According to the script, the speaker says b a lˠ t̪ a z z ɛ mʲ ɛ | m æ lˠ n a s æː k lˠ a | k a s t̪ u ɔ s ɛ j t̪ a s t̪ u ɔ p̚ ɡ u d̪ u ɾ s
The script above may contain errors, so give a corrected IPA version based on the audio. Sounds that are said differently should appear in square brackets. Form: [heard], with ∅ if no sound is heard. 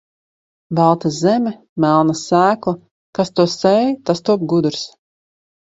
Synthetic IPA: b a lˠ t̪ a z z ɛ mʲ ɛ | m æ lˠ n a s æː k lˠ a | k a s t̪ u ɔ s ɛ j t̪ a s t̪ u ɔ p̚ ɡ u d̪ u ɾ s